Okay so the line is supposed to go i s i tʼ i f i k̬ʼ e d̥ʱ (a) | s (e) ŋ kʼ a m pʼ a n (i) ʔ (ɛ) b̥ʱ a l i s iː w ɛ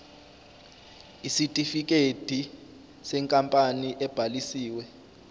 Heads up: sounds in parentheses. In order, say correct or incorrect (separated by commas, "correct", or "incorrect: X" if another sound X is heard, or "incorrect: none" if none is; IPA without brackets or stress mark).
incorrect: i, incorrect: ɛ, correct, correct